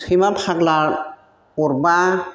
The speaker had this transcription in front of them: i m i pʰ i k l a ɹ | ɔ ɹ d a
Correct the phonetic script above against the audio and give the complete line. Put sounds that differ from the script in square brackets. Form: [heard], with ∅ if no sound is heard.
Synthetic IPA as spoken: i m [a] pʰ [a] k l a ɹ | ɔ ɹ [b] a